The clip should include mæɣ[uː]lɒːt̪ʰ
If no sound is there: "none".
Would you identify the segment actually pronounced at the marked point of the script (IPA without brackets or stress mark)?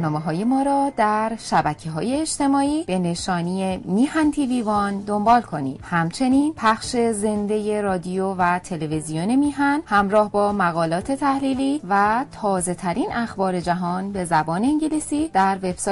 ɒː